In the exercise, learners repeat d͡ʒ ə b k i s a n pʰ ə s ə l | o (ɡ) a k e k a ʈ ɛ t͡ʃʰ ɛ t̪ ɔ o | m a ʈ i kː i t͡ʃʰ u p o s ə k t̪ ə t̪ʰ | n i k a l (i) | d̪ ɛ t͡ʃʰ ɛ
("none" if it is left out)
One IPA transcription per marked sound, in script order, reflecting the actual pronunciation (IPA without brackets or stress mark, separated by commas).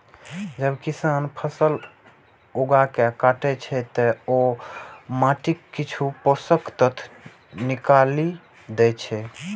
ɡ, i